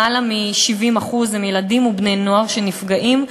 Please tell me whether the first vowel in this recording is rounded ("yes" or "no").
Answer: no